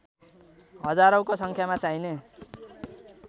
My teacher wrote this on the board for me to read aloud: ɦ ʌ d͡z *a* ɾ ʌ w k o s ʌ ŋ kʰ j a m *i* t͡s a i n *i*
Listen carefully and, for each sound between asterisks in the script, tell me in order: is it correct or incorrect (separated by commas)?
correct, incorrect, incorrect